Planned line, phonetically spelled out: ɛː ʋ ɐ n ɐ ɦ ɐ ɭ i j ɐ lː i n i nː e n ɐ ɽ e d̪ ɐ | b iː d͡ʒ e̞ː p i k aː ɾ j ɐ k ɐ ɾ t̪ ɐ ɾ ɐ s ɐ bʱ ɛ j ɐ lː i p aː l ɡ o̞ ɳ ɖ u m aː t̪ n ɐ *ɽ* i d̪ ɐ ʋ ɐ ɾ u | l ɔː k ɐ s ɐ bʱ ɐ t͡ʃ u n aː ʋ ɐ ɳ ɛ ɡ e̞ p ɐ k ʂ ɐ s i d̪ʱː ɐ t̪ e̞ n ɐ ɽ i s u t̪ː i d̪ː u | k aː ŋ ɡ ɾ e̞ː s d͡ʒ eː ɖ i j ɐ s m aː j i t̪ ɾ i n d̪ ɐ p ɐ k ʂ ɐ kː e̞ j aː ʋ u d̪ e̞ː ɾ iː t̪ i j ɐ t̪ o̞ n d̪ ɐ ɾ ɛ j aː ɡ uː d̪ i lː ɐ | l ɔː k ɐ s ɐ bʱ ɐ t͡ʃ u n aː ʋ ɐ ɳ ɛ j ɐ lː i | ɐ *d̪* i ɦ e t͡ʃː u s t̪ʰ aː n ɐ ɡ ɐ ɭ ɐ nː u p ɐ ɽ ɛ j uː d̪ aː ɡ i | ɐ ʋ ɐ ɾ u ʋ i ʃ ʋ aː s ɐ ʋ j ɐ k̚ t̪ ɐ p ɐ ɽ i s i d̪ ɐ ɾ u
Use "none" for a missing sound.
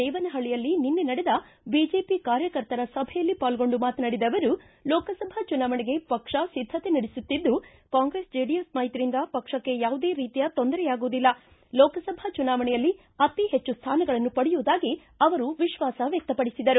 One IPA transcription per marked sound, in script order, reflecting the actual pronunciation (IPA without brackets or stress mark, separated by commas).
ɽ, t̪